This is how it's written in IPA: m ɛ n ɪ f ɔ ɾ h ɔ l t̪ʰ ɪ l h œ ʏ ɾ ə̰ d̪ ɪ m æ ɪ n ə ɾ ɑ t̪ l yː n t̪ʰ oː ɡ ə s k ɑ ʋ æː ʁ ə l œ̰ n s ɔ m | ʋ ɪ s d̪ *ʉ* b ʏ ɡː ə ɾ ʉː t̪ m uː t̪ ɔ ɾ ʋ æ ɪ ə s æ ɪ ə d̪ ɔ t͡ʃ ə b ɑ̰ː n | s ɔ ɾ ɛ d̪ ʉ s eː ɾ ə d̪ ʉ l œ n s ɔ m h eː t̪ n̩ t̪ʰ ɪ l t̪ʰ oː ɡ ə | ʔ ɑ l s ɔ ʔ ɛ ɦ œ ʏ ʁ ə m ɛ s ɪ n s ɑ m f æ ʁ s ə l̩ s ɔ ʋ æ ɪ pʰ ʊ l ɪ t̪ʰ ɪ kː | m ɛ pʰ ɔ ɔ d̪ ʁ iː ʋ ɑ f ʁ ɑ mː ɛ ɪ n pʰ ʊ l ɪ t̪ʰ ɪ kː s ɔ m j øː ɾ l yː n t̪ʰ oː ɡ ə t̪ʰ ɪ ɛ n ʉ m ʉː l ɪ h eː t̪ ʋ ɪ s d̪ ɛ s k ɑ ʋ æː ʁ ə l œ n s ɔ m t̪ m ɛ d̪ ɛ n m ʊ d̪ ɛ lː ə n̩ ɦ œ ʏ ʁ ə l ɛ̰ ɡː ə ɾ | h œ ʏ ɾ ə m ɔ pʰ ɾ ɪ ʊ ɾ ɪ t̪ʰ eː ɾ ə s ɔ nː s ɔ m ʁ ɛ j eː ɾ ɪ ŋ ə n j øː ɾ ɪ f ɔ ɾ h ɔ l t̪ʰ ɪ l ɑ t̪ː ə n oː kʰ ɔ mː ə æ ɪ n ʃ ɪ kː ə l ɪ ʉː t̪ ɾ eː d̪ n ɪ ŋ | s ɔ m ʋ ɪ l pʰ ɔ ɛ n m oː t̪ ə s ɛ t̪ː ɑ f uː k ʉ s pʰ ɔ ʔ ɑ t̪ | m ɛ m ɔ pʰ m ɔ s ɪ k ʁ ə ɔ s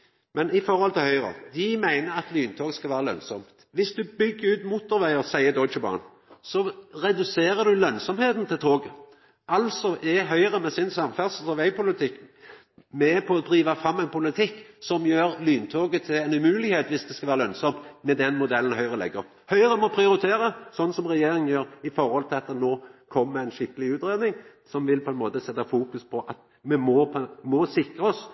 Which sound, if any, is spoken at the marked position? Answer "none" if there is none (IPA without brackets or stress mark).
ʉ